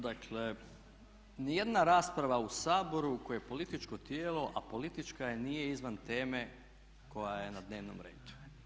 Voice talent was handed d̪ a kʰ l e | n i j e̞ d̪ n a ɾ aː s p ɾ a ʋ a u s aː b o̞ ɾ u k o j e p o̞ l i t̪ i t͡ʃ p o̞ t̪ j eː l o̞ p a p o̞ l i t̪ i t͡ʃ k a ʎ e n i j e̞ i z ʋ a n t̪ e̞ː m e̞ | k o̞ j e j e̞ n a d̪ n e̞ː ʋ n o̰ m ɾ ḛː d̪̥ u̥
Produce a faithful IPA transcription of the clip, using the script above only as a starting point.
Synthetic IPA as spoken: d̪ a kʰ l e | n i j e̞ d̪ n a ɾ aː s p ɾ a ʋ a u s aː b o̞ ɾ u k o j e p o̞ l i t̪ i t͡ʃ k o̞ t̪ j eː l o̞ ʔ a p o̞ l i t̪ i t͡ʃ k a j e n i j e̞ i z ʋ a n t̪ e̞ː m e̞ | k o̞ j a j e̞ n a d̪ n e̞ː ʋ n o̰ m ɾ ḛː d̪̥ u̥